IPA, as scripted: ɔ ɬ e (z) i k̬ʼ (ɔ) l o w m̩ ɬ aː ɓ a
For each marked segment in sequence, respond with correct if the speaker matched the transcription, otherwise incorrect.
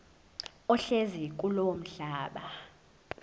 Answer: correct, incorrect: u

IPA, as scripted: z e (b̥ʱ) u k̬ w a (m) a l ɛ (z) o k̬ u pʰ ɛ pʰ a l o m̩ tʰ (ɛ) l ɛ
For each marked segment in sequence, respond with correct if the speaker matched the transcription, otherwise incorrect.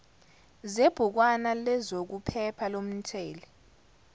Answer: correct, incorrect: n, correct, incorrect: ɛː

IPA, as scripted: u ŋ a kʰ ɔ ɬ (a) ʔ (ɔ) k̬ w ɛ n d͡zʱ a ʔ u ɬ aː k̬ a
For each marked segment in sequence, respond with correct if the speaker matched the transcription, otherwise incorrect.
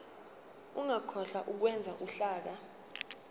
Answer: correct, incorrect: u

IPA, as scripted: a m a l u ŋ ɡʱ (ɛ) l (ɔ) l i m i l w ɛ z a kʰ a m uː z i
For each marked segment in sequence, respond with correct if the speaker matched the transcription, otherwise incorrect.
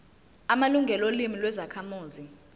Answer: correct, incorrect: o

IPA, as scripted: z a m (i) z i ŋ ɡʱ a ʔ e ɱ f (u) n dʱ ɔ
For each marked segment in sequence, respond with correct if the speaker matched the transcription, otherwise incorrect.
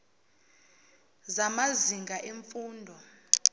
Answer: incorrect: a, incorrect: uː

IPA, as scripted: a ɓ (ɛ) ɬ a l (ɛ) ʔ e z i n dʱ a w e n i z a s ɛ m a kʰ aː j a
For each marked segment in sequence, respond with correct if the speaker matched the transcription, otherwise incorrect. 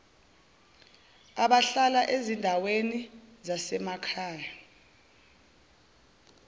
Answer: incorrect: a, incorrect: a

